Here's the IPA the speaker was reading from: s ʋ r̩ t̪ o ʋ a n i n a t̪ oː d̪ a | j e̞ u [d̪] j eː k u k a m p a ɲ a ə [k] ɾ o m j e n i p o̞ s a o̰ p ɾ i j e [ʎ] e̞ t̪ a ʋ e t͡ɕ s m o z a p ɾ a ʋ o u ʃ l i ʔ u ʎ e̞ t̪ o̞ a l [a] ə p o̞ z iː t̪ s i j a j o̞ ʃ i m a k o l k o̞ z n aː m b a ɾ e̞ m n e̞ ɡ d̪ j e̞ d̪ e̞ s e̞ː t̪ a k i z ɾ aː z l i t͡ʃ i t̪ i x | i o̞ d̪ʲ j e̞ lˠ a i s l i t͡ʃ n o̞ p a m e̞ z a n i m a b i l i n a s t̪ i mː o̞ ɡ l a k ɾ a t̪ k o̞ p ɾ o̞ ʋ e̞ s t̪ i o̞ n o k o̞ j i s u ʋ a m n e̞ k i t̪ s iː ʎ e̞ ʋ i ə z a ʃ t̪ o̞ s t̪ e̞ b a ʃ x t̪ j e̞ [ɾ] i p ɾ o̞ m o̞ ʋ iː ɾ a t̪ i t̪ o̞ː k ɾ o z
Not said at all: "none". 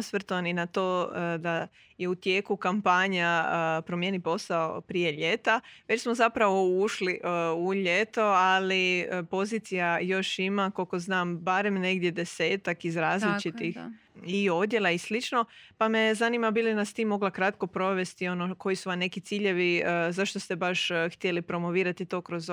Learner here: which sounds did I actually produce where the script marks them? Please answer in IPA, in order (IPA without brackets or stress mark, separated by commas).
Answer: t̪, p, ʎ, i, l